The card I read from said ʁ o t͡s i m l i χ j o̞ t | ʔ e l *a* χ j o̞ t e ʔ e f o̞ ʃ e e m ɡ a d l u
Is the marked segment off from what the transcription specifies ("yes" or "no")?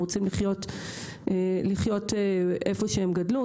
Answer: yes